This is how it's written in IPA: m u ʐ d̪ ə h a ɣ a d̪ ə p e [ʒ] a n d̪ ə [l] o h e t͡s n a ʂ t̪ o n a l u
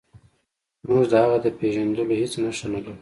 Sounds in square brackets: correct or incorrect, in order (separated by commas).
correct, correct